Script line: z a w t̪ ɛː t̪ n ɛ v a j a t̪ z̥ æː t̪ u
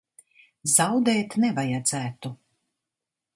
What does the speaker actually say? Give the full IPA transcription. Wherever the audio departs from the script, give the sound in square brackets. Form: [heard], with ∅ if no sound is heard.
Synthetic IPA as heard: z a w [d̪] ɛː t̪ n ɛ v a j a [d̪] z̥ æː t̪ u